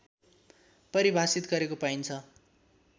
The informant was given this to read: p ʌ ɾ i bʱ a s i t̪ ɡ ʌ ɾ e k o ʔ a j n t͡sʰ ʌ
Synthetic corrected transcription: p ʌ ɾ i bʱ a s i t̪ ɡ ʌ ɾ e k o p a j n t͡sʰ ʌ